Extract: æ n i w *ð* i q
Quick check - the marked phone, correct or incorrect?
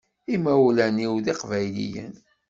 correct